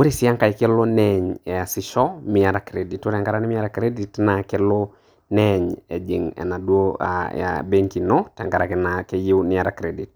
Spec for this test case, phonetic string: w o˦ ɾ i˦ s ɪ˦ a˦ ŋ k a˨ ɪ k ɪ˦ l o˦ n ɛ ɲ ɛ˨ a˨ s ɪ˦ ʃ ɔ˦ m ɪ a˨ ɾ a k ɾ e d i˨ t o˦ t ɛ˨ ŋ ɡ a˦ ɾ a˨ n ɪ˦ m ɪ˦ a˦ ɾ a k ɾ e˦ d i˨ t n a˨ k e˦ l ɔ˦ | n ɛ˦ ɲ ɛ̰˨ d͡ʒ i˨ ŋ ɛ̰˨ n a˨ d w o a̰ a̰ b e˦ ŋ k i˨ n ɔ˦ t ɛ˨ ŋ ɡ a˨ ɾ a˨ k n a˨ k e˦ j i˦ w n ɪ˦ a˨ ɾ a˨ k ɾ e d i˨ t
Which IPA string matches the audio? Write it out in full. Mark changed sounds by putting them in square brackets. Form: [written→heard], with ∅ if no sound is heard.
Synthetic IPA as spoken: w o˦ ɾ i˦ s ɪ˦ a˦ ŋ k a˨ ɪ k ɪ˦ l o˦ n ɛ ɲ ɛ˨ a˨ s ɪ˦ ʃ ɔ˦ m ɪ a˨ ɾ a k ɾ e d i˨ t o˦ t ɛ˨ ŋ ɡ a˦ ɾ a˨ n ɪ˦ m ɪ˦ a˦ ɾ a k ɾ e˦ d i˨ t n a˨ k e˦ l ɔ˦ | n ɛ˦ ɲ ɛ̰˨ d͡ʒ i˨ ŋ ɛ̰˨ n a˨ d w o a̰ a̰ b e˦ ŋ k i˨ n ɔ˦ t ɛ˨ ŋ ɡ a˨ ɾ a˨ k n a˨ k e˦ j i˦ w n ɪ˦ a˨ ɾ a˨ k ɾ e d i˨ t